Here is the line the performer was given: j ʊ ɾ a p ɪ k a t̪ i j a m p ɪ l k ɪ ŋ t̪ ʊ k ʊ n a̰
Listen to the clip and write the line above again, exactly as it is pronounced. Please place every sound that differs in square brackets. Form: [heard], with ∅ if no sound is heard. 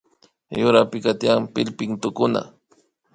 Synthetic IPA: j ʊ ɾ a p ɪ k a t̪ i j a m p ɪ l [p] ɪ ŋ t̪ ʊ k ʊ n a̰